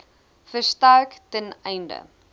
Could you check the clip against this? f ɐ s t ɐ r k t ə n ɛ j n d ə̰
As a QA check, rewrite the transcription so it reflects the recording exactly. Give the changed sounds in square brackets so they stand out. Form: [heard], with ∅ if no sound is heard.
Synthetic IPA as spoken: f [ə] s t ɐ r k t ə n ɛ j n d ə̰